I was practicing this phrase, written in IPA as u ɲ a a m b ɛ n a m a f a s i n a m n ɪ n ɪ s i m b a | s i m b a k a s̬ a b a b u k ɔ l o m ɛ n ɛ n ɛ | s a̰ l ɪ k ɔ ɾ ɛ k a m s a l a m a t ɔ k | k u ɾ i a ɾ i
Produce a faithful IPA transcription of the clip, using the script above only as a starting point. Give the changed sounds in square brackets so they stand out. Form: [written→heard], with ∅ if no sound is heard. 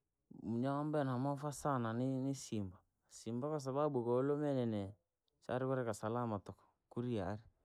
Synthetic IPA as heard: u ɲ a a m b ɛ n a m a f a s [i→a] n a [m→∅] n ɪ n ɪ s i m b a | s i m b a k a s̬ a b a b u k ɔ l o m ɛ n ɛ n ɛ | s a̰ [l→ɾ] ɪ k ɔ ɾ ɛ k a [m→∅] s a l a m a t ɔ k | k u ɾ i a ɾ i